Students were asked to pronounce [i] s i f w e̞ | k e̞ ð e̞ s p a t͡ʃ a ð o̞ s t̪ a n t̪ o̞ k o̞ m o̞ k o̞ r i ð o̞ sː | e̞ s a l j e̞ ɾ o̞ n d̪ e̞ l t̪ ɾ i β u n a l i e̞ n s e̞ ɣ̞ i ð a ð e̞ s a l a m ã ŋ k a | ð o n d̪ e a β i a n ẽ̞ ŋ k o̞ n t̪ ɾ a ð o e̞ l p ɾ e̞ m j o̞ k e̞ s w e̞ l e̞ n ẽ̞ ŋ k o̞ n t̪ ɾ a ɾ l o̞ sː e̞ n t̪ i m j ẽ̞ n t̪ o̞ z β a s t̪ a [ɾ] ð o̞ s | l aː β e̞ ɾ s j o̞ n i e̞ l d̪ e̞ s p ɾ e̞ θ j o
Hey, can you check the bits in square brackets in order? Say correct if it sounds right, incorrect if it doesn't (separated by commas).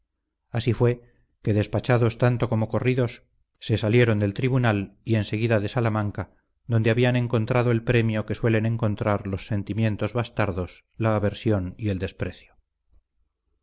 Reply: incorrect, correct